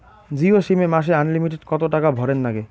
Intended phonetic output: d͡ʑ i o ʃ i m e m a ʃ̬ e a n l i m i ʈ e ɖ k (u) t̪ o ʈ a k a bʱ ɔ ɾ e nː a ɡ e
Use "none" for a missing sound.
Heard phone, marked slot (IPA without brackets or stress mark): ɔ